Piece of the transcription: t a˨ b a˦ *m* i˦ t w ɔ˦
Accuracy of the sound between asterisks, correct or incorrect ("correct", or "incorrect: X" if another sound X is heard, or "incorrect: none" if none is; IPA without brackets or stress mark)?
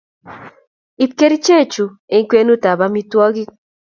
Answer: correct